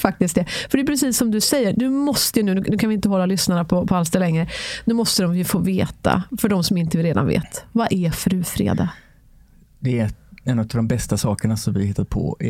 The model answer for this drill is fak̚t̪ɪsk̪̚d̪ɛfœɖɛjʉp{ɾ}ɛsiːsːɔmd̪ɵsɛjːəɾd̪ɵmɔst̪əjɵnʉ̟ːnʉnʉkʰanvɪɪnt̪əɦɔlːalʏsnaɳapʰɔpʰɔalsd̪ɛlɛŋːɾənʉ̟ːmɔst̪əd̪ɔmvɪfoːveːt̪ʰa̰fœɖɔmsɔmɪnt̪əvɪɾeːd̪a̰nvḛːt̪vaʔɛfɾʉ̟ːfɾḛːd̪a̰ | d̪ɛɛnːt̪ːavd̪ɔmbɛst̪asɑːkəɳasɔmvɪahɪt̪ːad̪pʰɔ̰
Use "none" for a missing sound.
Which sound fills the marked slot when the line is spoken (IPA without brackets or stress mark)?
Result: ɾ